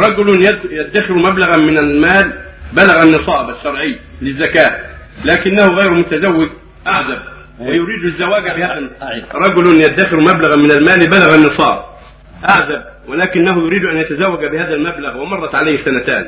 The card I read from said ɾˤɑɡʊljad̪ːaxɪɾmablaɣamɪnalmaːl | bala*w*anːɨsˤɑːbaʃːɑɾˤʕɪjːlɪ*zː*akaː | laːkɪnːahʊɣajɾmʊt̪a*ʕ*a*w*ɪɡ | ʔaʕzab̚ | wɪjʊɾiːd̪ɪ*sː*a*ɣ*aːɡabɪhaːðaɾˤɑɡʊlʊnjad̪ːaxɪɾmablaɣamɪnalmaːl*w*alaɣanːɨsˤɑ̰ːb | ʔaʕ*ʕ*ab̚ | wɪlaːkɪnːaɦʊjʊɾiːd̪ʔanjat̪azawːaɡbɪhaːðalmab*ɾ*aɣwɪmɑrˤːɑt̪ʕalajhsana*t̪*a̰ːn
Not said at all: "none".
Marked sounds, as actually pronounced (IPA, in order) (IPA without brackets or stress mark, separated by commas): ɣ, zː, z, wː, zː, w, b, z, l, t̪